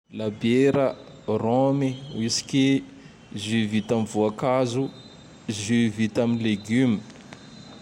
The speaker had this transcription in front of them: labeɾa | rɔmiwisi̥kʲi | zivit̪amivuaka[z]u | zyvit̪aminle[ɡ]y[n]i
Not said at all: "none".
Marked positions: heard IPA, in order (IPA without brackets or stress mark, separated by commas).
z, ɡ, m